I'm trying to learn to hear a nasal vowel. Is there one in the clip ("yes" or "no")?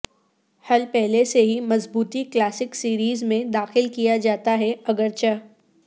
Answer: yes